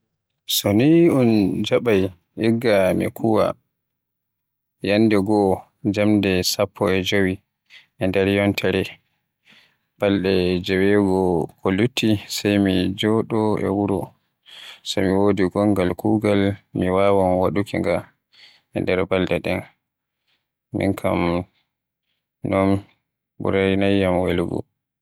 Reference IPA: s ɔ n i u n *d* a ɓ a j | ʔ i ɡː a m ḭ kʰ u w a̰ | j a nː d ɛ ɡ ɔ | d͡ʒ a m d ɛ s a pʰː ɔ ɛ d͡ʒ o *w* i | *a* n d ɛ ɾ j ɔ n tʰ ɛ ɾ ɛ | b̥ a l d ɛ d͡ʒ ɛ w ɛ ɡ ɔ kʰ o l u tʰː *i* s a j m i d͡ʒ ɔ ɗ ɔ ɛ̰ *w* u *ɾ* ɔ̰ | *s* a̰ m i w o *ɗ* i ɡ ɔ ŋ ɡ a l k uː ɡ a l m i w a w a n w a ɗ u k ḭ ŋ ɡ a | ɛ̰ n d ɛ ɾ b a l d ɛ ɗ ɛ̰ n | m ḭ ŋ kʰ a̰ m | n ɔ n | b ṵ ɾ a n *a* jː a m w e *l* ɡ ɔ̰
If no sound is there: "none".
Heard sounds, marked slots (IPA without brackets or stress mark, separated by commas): d͡ʒ, w, ɛ, i, w, ɾ, s, d, a, l